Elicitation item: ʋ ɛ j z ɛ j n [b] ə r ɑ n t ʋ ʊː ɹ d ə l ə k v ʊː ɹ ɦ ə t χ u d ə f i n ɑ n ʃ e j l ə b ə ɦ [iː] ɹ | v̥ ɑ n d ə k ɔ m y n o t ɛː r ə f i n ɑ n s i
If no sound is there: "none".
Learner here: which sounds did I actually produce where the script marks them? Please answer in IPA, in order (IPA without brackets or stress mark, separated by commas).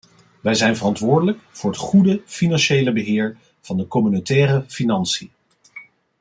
v, ɪː